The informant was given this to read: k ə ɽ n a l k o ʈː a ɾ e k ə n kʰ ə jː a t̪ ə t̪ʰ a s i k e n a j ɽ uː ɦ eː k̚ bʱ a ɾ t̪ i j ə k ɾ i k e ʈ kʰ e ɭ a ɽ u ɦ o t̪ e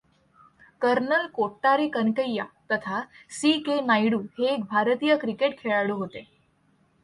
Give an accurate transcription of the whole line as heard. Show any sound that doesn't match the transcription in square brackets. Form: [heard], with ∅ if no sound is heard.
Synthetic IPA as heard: k ə [ɾ] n [ə] l k o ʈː a ɾ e k ə n [k] ə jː a t̪ ə t̪ʰ a s i k e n a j ɽ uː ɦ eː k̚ bʱ a ɾ t̪ i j ə k ɾ i k e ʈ kʰ e ɭ a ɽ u ɦ o t̪ e